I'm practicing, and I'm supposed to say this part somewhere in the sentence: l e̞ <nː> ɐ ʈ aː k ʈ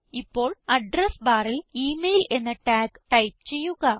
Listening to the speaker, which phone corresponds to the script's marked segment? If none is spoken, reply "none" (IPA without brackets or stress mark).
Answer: nː